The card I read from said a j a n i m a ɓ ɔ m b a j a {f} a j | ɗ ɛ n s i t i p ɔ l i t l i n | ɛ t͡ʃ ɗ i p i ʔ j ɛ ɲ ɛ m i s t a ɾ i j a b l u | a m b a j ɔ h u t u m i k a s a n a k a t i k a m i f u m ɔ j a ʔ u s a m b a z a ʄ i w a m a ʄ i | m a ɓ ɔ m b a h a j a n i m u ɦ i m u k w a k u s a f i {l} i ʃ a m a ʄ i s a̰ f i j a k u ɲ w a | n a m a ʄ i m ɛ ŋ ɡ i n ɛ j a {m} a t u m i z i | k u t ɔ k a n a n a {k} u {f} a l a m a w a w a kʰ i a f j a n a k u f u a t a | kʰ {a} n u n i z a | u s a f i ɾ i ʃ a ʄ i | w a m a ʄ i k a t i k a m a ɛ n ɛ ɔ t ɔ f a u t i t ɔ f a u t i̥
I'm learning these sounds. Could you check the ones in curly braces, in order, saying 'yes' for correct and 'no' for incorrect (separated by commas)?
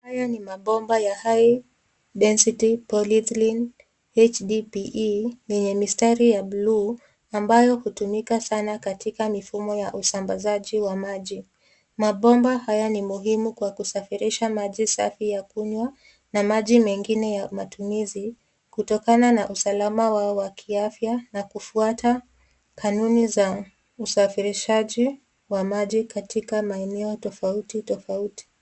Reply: no, no, yes, no, no, yes